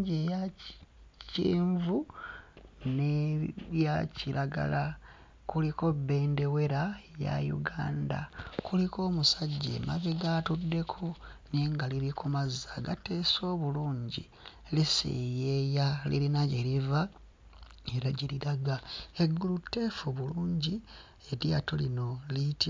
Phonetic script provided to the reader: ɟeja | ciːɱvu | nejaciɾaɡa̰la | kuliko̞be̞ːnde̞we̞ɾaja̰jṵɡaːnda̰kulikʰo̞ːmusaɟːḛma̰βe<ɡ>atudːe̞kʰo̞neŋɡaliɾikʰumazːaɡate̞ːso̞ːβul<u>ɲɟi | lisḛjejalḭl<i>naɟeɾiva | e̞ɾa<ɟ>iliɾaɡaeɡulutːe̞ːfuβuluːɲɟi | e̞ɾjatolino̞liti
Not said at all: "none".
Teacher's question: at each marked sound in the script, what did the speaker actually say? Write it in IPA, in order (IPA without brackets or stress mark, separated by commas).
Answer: ɡ, uː, i, ɟ